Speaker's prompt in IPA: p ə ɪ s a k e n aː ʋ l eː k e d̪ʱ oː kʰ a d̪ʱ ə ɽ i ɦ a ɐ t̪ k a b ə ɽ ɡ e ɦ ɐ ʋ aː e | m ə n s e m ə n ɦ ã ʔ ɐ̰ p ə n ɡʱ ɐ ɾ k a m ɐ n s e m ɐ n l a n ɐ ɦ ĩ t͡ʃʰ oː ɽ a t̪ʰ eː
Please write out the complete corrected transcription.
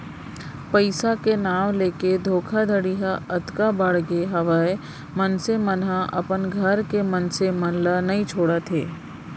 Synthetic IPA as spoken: p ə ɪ s a k e n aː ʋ l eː k e d̪ʱ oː kʰ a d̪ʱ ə ɽ i ɦ a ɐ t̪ k a b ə ɽ ɡ e ɦ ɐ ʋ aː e | m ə n s e m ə n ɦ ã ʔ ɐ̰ p ə n ɡʱ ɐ ɾ k e m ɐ n s e m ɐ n l a n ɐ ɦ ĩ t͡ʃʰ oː ɽ a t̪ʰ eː